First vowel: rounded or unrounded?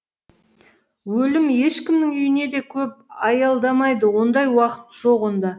rounded